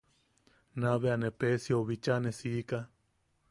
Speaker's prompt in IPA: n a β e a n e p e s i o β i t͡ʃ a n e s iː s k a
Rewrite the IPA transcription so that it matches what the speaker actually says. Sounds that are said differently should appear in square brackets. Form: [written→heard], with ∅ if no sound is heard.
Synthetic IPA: n a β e a n e p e s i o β i t͡ʃ a n e s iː [s→∅] k a

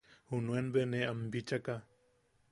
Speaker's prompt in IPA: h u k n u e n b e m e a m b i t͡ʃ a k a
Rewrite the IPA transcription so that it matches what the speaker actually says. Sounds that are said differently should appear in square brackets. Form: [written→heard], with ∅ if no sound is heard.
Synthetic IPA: h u [k→∅] n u e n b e [m→n] e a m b i t͡ʃ a k a

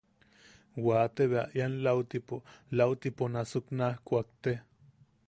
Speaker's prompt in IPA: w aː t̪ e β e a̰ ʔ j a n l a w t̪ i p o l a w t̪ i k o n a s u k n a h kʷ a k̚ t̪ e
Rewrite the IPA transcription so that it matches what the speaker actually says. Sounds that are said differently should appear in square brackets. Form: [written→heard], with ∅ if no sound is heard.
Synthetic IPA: w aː t̪ e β e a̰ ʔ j a n l a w t̪ i p o l a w t̪ i [k→p] o n a s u k n a h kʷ a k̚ t̪ e

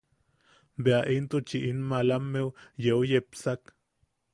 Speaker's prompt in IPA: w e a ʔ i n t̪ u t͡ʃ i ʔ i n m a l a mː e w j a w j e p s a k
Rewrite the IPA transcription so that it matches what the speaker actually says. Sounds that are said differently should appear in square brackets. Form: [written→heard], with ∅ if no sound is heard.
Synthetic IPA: [w→b] e a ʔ i n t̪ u t͡ʃ i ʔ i n m a l a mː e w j [a→e] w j e p s a k

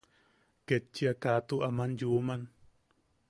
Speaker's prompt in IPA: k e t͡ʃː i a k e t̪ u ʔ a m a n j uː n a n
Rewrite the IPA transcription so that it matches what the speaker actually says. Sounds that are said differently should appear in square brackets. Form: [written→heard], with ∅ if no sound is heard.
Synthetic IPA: k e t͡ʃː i a k [e→a] t̪ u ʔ a m a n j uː [n→m] a n

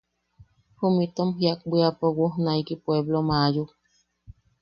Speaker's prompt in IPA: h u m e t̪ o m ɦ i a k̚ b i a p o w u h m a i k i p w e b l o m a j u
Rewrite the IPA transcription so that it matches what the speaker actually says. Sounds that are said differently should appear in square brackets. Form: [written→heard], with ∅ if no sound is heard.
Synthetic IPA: h u m [e→i] t̪ o m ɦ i a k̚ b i a p o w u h [m→n] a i k i p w e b l o m a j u

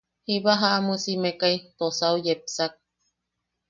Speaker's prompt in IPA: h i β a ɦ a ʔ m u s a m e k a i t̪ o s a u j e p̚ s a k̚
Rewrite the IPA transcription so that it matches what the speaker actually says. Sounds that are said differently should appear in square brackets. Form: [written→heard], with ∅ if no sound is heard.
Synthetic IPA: h i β a ɦ a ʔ m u s [a→i] m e k a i t̪ o s a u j e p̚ s a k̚

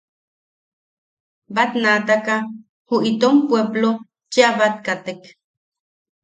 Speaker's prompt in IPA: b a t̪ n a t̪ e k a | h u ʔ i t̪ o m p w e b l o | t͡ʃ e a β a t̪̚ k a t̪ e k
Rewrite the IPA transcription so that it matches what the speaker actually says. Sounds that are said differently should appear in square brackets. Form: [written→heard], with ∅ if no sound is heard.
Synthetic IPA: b a t̪ n a t̪ [e→a] k a | h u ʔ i t̪ o m p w e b l o | t͡ʃ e a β a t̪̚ k a t̪ e k

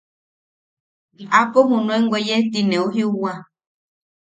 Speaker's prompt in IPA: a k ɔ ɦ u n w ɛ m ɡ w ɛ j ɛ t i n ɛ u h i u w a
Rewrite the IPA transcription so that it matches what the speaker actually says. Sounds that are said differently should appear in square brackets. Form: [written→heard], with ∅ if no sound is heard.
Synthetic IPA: a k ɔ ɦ u n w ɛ [m→ŋ] ɡ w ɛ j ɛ t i n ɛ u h i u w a

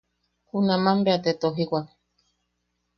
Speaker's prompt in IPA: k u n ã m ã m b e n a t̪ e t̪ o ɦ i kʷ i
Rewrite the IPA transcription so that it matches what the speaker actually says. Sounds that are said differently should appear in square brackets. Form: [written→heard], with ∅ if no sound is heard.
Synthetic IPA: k u n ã m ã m b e [n→∅] a t̪ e t̪ o ɦ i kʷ [i→a]

